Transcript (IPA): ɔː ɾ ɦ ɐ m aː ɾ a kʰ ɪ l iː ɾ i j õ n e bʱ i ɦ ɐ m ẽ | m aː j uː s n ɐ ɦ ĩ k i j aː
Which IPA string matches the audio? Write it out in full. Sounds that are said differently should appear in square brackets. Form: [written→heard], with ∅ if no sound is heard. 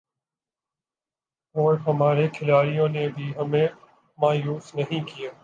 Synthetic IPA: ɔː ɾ ɦ ɐ m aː ɾ [a→e] kʰ ɪ l [iː→aː] ɾ i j õ n e bʱ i ɦ ɐ m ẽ | m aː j uː s n ɐ ɦ ĩ k i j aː